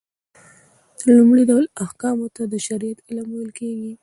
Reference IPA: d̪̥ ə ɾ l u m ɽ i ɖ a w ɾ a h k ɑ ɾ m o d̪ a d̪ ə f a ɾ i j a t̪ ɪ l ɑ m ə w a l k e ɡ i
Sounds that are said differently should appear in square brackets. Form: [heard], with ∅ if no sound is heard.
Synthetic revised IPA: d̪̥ ə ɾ l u m ɽ i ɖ a w [l] a h k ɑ [∅] m o [t̪] a d̪ ə [ʃ] a ɾ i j a t̪ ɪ l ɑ m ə w [ə] l k e ɡ i